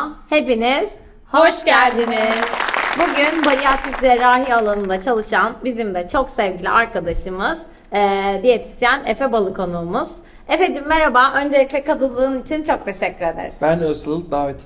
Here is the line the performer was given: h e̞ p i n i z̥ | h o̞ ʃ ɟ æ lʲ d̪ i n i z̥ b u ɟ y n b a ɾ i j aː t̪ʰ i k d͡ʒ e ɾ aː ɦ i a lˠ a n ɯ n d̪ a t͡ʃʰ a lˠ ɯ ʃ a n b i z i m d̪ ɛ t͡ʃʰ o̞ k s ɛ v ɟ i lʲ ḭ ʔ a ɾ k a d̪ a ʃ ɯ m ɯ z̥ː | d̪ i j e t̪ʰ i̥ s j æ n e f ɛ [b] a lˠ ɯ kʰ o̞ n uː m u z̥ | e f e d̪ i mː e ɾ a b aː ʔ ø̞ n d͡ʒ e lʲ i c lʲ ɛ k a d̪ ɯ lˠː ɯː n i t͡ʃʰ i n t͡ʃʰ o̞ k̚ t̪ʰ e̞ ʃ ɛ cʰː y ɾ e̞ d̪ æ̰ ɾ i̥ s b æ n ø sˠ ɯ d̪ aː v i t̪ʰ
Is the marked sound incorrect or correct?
correct